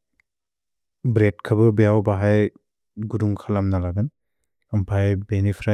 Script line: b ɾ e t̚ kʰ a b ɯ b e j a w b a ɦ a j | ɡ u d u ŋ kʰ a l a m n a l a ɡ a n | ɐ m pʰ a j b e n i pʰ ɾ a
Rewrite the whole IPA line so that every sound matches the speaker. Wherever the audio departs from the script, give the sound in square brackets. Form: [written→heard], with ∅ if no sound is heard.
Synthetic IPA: b ɾ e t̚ kʰ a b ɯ b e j a w b a ɦ a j | ɡ u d u ŋ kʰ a l a m n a l a ɡ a n | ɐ m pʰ a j b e n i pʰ ɾ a